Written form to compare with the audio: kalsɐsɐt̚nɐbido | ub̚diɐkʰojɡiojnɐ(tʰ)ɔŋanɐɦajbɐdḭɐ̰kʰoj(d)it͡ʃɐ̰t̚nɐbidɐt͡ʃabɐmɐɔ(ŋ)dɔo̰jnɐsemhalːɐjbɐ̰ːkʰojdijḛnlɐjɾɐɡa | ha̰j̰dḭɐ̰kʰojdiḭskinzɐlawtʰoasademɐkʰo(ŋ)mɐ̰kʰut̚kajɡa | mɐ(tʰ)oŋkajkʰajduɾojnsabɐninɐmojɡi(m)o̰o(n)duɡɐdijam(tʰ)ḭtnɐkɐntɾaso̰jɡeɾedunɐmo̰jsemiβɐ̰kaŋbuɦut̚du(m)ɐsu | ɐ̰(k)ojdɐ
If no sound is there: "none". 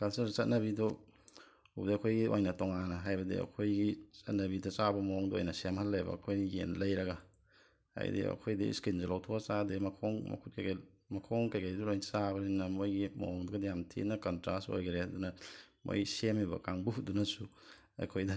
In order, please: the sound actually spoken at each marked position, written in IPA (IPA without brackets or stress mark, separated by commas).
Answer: t, ɡ, ŋ, ŋ, kʰ, m, ŋ, tʰ, n, kʰ